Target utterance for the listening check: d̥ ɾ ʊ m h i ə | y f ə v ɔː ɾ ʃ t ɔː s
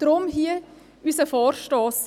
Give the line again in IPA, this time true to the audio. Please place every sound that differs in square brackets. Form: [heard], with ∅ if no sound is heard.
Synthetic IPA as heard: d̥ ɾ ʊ m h i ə | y [s] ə [f] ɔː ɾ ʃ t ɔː s